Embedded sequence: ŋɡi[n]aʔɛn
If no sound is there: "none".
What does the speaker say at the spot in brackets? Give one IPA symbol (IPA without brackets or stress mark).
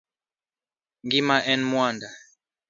m